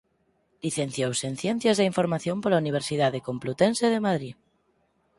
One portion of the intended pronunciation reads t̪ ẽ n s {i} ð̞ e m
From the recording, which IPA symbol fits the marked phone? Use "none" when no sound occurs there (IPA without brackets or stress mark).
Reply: e